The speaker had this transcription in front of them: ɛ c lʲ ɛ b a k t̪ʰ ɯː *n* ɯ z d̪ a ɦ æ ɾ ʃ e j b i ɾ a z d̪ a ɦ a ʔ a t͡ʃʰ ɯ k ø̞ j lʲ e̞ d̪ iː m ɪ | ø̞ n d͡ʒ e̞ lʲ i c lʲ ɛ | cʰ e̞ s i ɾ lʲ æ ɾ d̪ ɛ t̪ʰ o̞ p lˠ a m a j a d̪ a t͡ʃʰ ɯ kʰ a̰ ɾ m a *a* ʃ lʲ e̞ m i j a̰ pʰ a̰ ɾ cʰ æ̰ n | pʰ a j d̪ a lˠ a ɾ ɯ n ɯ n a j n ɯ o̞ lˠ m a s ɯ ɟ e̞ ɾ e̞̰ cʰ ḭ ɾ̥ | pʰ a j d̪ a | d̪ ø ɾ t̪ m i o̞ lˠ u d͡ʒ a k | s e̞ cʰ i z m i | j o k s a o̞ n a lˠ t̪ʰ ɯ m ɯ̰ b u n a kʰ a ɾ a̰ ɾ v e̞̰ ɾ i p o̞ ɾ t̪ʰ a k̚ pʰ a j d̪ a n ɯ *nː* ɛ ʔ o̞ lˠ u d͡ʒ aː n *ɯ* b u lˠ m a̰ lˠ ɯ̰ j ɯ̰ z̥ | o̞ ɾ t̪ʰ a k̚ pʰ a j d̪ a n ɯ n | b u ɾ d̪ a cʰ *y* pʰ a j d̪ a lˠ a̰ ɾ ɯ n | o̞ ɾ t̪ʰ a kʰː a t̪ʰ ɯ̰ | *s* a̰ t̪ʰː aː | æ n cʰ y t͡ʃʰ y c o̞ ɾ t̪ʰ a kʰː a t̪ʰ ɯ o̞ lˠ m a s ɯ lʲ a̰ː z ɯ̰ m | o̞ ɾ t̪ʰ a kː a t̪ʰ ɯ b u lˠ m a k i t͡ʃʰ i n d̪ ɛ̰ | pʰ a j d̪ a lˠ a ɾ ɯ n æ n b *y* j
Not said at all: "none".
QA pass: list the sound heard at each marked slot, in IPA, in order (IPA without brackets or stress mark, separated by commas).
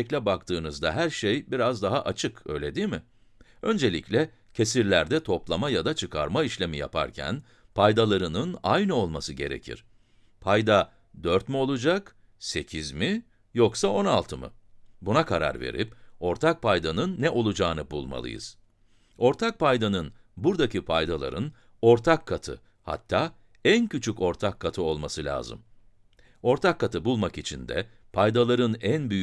n, i, nː, ɯ, i, h, y